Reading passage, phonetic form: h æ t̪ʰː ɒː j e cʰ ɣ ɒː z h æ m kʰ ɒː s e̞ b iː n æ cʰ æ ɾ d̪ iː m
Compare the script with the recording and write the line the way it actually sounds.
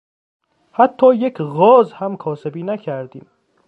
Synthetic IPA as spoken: h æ t̪ʰː ɒː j e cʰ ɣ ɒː z h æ m kʰ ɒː s e̞ b iː n æ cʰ æ ɾ d̪ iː m